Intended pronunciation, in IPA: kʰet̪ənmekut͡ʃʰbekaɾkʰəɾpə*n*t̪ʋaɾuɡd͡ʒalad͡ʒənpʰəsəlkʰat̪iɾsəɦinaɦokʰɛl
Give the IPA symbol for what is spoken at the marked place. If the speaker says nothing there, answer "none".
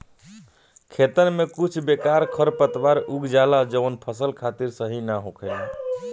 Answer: none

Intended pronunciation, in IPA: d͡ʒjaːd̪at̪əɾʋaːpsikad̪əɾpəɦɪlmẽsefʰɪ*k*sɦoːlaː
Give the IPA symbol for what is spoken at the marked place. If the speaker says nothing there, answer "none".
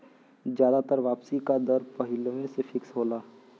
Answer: k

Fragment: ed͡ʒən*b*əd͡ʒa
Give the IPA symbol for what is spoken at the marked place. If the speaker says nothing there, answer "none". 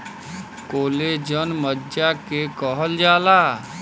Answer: m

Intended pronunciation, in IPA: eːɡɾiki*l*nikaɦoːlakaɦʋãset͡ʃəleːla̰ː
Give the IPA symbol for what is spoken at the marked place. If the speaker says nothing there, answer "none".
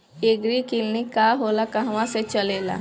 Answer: l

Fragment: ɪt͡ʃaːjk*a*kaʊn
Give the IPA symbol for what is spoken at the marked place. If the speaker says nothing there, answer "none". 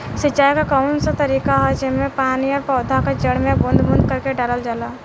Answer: a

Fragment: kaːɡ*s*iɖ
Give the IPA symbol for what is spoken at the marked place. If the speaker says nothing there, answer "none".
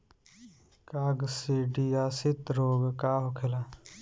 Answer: s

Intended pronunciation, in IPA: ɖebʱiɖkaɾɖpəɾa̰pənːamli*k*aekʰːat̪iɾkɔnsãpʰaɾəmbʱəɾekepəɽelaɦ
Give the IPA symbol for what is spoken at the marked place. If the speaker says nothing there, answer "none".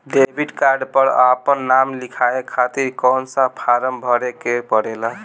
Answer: kʰ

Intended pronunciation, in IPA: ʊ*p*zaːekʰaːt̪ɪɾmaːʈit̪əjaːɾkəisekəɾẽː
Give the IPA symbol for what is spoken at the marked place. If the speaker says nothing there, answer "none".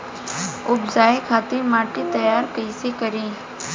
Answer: b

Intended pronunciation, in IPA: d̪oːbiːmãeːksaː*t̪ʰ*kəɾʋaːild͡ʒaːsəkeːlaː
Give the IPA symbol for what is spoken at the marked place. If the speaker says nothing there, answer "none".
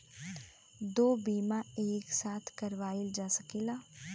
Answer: t̪ʰ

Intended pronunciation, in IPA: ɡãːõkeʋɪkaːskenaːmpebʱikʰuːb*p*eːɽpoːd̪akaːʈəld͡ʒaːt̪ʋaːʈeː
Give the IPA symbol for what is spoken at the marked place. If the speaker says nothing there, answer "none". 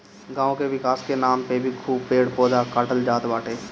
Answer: p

